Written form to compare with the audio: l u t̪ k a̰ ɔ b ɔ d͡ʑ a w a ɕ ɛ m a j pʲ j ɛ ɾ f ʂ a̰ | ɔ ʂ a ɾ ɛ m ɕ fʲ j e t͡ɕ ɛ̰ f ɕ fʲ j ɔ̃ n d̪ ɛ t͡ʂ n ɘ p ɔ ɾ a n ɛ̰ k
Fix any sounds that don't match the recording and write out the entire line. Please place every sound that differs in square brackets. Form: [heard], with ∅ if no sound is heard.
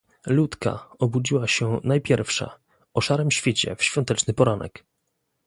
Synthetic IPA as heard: l u t̪ k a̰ ɔ b [u] d͡ʑ [i] w a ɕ ɛ [n] a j pʲ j ɛ ɾ f ʂ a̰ | ɔ ʂ a ɾ ɛ m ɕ fʲ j e t͡ɕ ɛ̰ f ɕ fʲ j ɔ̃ n [t̪] ɛ t͡ʂ n ɘ p ɔ ɾ a n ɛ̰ k